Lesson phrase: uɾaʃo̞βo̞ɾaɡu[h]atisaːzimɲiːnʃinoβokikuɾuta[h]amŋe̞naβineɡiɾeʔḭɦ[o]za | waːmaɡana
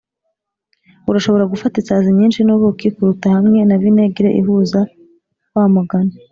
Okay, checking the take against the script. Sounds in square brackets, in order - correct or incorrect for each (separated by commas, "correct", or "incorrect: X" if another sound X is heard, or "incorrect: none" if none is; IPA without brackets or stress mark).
incorrect: f, correct, incorrect: u